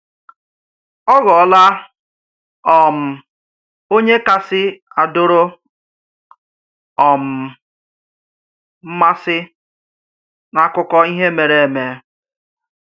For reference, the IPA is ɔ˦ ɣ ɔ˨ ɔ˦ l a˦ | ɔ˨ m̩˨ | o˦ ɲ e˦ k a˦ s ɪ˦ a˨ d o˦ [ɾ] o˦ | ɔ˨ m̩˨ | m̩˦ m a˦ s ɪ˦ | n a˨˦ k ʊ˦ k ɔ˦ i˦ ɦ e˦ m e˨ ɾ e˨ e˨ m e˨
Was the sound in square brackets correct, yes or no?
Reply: yes